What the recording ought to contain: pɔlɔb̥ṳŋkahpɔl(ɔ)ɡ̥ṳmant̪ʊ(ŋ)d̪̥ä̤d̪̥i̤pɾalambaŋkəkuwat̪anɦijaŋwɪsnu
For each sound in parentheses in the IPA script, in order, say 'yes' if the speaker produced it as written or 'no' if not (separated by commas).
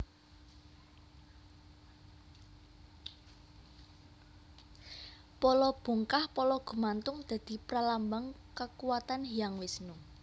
yes, yes